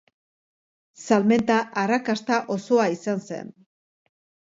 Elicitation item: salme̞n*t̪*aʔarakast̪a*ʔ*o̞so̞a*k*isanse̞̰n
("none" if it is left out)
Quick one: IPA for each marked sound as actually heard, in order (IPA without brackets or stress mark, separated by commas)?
t̪, ʔ, none